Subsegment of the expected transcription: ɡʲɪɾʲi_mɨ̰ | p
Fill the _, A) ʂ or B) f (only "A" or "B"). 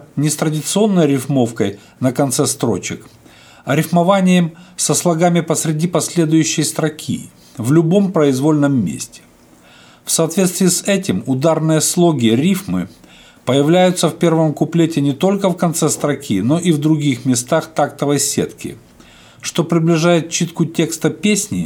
B